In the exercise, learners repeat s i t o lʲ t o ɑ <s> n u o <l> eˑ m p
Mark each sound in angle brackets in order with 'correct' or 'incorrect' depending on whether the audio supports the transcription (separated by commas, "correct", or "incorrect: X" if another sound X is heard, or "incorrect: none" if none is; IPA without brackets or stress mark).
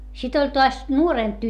correct, incorrect: r